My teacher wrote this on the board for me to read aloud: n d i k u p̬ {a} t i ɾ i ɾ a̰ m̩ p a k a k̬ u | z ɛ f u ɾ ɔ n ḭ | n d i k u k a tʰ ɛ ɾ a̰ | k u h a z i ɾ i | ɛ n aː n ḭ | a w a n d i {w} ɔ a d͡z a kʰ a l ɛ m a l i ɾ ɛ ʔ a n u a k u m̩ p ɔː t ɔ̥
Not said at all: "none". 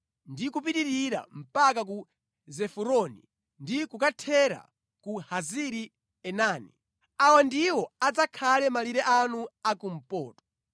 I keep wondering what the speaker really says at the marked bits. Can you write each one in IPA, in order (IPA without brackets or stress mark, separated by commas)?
i, w